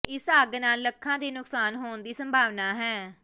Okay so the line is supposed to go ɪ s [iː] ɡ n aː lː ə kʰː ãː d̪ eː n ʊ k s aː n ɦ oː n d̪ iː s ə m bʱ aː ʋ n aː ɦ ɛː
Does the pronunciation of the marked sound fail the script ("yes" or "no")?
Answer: yes